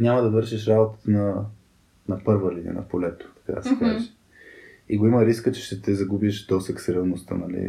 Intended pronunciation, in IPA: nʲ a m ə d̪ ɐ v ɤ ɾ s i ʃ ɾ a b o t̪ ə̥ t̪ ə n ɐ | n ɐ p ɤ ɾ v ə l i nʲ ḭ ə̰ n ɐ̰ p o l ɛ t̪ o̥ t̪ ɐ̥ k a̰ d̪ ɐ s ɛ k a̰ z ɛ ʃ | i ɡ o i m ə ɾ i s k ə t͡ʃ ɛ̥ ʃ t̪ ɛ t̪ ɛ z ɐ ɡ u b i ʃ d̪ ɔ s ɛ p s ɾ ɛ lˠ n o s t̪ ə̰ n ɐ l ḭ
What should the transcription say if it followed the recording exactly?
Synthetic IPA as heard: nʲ a m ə d̪ ɐ v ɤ ɾ ʃ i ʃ ɾ a b o t̪ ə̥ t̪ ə n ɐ | n ɐ p ɤ ɾ v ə l i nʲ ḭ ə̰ n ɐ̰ p o l ɛ t̪ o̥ t̪ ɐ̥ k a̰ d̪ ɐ s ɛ k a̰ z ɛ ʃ | i ɡ o i m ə ɾ i s k ə t͡ʃ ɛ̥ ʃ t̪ ɛ t̪ ɛ z ɐ ɡ u b i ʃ d̪ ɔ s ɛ k s ɾ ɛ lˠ n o s t̪ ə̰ n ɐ l ḭ